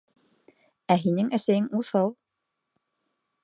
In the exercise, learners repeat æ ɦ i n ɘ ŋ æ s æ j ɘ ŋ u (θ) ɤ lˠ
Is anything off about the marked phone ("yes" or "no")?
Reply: no